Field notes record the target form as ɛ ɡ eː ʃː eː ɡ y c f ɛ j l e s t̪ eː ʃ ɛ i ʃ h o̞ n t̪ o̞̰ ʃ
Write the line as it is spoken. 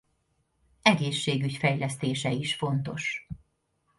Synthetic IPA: ɛ ɡ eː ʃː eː ɡ y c f ɛ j l ɛ s t̪ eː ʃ ɛ i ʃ f o̞ n t̪ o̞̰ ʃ